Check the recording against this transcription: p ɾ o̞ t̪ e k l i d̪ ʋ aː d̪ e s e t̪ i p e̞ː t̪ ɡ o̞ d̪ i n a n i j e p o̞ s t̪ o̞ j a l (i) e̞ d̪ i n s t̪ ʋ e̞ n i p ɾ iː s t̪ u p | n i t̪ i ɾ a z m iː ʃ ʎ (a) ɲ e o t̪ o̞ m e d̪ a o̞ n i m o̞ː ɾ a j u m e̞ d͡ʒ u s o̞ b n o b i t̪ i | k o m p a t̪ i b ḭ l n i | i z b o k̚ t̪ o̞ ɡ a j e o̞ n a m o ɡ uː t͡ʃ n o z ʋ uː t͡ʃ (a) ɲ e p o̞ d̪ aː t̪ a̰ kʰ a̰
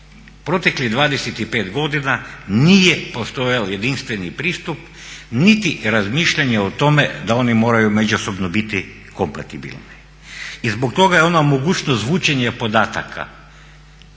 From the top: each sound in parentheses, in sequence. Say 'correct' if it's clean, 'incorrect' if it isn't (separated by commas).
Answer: incorrect, correct, incorrect